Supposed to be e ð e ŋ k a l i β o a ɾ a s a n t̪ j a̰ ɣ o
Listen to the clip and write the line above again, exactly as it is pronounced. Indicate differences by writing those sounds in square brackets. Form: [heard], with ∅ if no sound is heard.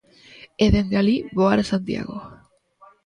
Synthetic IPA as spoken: e ð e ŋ [ɡ] a l i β o a ɾ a s a n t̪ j a̰ ɣ o

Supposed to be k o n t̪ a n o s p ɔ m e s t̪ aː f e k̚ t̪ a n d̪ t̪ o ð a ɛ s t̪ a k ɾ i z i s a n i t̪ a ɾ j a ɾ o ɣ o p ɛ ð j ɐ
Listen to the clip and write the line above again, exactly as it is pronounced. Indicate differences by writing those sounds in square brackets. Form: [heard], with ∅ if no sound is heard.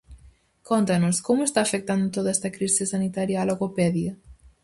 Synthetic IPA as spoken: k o n t̪ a n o s [k] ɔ m e s t̪ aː f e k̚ t̪ a n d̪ t̪ o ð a ɛ s t̪ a k ɾ i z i s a n i t̪ a ɾ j a [l] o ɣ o p ɛ ð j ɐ

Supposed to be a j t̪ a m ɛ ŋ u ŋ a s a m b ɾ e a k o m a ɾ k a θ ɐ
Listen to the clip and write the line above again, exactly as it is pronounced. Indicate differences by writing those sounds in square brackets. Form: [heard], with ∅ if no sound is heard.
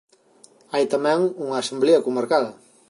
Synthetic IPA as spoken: a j t̪ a m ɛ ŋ u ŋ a s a m b [l] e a k [u] m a ɾ k a [ð] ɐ

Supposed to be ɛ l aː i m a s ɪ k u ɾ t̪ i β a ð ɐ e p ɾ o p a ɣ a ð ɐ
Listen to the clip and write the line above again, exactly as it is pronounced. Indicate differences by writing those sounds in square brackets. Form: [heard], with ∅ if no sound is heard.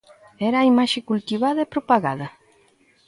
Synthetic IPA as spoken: ɛ [ɾ] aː i m a [ʃ] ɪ k u [l] t̪ i β a ð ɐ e p ɾ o p a ɣ a ð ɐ

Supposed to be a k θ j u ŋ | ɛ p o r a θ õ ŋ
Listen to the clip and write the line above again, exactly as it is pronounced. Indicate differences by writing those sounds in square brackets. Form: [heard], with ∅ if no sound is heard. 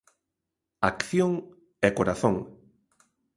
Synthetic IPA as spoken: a k θ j [o] ŋ | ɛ [k] o [ɾ] a θ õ ŋ

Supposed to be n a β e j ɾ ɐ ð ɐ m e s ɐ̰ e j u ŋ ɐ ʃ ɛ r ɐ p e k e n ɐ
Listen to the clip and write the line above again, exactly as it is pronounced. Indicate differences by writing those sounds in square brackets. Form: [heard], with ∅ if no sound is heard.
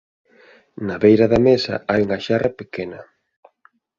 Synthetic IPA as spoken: n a β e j ɾ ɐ ð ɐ m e s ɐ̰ [a] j u ŋ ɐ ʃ [a] r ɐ p e k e n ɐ

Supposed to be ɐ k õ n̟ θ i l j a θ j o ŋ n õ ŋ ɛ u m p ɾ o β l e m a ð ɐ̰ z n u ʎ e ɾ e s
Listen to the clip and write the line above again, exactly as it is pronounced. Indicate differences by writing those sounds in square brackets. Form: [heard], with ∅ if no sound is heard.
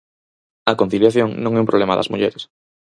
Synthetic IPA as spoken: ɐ k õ n̟ θ i l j a θ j o ŋ n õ ŋ ɛ u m p ɾ o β l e m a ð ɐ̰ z [m] u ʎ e ɾ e s

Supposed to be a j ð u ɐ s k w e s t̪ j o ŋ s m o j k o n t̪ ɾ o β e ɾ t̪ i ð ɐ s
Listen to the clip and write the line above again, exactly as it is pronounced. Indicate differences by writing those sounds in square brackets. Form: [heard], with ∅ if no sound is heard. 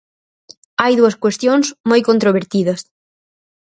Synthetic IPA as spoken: a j ð u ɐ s k w e s t̪ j o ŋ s m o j k o n t̪ ɾ o β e ɾ t̪ i ð ɐ s

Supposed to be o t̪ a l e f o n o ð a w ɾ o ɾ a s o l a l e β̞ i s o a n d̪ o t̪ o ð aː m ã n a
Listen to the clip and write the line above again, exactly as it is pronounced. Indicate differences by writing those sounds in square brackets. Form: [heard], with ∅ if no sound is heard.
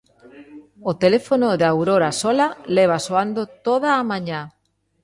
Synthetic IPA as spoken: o t̪ [e] l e f o n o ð a w ɾ o ɾ a s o l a l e β̞ [a] s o a n d̪ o t̪ o ð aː m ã [ɲ] a

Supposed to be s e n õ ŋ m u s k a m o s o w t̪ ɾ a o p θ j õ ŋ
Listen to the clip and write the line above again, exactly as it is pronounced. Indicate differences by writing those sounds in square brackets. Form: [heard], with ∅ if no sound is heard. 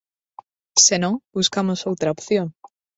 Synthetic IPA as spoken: s e n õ ŋ [b] u s k a m o s o w t̪ ɾ a o p θ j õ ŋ

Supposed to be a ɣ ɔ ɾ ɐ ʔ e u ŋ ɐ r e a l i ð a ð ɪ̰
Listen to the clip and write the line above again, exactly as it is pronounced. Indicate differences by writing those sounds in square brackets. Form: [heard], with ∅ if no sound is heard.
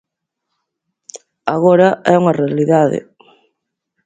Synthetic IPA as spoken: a ɣ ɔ ɾ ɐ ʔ [ɛ] u ŋ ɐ r e a l i ð a ð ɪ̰

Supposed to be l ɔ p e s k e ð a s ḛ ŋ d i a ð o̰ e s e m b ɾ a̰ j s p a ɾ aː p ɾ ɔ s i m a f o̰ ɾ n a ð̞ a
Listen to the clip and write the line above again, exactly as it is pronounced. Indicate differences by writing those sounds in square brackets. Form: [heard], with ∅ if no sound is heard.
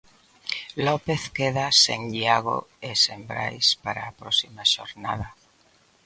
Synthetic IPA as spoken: l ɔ p e [θ] k e ð a s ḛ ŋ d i a [ɣ] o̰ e s e m b ɾ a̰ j s p a ɾ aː p ɾ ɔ s i m a [ʃ] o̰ ɾ n a ð̞ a

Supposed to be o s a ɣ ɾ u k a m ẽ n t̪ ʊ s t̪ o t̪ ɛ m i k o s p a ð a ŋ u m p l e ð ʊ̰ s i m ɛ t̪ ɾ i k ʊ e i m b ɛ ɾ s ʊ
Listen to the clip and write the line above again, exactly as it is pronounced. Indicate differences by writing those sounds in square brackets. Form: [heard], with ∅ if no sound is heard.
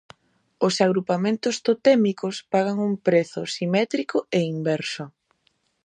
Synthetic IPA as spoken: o s a ɣ ɾ u [p] a m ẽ n t̪ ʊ s t̪ o t̪ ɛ m i k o s p a [ɣ] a ŋ u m p [ɾ] e [θ] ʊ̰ s i m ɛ t̪ ɾ i k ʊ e i m b ɛ ɾ s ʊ

